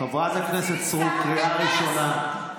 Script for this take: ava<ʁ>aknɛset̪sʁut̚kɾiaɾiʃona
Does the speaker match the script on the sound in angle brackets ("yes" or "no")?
no